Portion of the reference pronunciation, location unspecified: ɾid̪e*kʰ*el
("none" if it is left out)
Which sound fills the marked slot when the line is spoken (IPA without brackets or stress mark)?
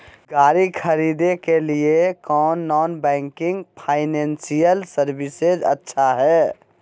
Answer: k